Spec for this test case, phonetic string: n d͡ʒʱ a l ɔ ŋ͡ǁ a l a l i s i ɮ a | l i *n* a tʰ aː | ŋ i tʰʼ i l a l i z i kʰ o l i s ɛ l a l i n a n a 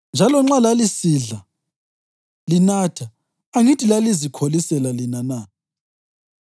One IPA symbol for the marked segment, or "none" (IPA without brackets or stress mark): n